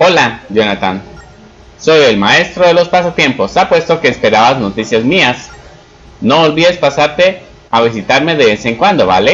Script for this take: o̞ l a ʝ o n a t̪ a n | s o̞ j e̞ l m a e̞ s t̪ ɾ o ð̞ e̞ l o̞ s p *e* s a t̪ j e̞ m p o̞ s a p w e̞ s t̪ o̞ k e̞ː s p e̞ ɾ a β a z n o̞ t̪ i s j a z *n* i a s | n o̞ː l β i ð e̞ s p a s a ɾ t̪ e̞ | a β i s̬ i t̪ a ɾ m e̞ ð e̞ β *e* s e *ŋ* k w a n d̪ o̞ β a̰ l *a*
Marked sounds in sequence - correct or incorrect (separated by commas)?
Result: incorrect, incorrect, correct, correct, incorrect